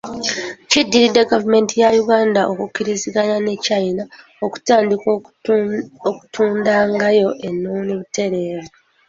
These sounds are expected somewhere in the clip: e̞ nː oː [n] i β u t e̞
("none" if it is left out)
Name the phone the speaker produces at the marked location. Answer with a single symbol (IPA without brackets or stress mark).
n